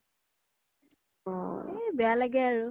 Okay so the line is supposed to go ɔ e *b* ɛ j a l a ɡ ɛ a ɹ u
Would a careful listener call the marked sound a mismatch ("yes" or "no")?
no